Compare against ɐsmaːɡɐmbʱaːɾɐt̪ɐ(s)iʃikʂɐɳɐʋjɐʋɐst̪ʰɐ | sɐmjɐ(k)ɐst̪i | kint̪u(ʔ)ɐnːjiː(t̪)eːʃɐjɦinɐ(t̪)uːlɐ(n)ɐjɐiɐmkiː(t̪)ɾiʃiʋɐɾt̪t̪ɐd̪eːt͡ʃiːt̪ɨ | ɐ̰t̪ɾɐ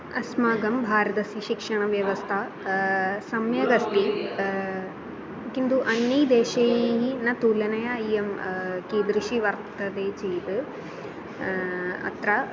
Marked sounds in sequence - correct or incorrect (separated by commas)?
correct, incorrect, correct, incorrect, correct, correct, incorrect